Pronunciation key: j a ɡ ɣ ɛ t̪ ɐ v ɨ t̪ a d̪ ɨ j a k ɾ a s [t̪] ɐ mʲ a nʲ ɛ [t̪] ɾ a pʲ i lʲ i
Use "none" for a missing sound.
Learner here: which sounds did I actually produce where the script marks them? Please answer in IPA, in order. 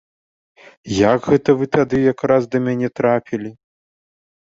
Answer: d̪, t̪

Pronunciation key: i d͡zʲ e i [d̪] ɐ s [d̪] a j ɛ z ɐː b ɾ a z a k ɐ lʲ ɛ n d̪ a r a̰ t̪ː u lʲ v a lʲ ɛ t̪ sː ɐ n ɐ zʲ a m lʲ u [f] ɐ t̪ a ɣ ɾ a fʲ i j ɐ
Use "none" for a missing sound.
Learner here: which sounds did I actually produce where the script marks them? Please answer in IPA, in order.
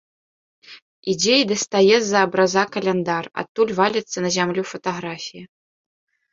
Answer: d̪, t̪, f

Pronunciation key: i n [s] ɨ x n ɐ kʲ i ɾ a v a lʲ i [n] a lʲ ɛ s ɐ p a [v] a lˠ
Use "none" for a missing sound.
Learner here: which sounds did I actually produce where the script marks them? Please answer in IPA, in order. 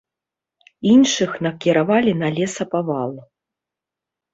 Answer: ʂ, n, v

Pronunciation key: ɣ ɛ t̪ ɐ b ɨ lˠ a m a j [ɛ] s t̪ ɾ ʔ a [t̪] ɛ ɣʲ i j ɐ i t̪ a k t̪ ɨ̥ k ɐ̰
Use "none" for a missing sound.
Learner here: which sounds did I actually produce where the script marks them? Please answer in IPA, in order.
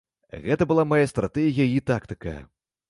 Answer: a, t̪

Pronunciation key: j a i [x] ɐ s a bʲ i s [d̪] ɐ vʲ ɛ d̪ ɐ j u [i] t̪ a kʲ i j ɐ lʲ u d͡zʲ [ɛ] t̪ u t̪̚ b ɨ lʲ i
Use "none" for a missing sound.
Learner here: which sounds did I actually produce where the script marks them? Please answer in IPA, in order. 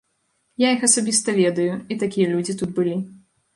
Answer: x, t̪, i, i

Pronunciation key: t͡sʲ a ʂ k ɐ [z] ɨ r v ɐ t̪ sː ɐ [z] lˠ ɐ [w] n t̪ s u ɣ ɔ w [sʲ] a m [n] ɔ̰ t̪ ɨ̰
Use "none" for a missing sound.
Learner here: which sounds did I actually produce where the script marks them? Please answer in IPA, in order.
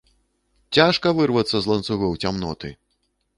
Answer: v, z, none, t͡sʲ, n

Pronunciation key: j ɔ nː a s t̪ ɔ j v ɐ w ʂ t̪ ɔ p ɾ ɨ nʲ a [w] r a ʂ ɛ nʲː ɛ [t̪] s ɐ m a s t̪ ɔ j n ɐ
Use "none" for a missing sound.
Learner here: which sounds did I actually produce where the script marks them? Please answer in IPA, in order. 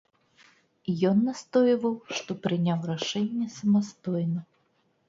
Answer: w, none

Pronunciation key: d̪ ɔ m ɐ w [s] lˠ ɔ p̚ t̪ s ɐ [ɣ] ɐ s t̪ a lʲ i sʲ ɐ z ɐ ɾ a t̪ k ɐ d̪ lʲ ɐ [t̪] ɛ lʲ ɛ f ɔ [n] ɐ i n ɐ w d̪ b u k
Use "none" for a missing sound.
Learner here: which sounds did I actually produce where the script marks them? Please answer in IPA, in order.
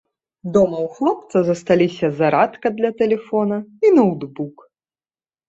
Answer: x, z, t̪, n

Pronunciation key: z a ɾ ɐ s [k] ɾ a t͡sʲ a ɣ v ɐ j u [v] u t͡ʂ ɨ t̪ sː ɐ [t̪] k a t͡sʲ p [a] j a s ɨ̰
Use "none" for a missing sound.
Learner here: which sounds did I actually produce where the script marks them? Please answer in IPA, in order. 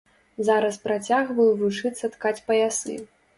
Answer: p, v, t̪, ɐ

